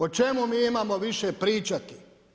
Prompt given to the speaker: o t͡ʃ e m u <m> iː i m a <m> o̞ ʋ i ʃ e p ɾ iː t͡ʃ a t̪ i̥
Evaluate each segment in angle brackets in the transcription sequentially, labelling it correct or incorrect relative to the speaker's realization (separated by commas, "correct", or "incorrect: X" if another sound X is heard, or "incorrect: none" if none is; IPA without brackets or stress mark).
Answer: correct, correct